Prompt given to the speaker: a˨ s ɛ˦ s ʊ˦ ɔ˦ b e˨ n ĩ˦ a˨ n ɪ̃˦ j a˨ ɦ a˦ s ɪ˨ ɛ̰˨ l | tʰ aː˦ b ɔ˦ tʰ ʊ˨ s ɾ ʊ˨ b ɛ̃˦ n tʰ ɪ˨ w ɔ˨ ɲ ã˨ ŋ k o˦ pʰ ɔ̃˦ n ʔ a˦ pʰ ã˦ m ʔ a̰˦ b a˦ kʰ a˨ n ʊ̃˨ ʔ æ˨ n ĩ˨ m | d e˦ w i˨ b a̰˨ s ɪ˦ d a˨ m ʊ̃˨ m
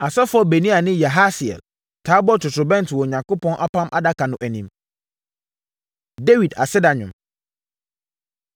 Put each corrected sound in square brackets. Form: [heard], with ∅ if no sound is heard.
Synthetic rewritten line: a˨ s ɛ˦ [f] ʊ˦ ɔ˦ b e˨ n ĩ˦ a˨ n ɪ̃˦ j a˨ ɦ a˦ s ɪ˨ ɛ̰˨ l | tʰ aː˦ b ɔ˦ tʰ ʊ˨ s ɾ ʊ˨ b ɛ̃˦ n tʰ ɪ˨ w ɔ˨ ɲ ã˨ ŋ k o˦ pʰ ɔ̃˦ n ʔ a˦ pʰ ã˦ m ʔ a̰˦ [d] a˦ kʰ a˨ n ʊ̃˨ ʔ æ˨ n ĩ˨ m | d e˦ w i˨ [d] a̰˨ s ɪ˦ d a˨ [ɲ] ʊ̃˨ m